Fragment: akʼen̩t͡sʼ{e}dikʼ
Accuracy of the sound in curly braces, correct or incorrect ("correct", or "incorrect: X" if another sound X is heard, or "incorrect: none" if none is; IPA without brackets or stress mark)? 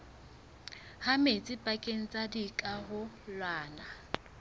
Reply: incorrect: a